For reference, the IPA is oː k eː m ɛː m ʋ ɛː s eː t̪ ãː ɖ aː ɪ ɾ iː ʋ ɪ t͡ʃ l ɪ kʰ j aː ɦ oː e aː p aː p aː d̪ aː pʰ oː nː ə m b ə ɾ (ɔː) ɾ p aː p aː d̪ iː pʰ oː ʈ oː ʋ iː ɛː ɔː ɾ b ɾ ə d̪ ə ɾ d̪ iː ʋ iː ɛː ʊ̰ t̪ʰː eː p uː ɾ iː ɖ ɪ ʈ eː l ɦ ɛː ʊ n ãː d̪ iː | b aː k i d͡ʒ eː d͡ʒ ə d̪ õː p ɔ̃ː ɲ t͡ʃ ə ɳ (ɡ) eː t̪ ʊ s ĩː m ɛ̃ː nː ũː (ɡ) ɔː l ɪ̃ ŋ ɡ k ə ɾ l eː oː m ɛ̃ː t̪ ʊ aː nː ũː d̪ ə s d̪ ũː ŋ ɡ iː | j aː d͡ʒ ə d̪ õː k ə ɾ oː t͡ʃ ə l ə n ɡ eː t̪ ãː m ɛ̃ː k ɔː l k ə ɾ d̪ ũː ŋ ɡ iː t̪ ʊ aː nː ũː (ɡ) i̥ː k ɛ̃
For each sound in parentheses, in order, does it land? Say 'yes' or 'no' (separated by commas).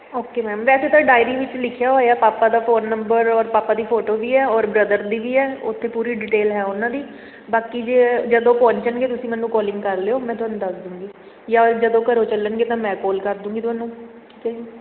yes, yes, no, no